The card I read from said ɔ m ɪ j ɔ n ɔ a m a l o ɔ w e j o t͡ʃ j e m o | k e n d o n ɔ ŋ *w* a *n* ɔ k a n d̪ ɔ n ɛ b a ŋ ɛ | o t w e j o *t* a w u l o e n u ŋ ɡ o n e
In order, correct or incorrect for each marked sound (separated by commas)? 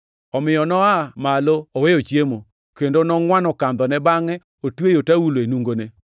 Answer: correct, correct, correct